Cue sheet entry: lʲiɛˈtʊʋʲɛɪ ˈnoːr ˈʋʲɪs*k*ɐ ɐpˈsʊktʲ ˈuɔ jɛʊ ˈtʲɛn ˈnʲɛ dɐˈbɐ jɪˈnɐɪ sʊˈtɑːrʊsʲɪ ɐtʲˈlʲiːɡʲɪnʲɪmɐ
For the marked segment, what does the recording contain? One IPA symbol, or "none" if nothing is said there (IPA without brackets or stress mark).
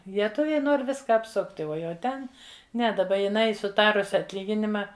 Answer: k